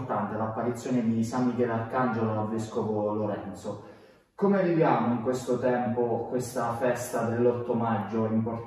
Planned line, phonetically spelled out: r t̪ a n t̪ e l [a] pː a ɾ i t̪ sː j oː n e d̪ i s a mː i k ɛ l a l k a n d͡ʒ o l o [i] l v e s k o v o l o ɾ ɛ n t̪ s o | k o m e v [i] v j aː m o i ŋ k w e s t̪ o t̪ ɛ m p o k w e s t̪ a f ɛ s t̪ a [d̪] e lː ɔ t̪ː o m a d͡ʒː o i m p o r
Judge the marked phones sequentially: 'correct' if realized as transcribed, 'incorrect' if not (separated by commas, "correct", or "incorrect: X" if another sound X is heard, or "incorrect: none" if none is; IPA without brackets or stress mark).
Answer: correct, incorrect: a, correct, correct